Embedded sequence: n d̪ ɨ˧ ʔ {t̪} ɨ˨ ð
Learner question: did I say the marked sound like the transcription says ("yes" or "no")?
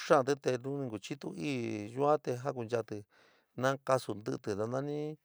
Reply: yes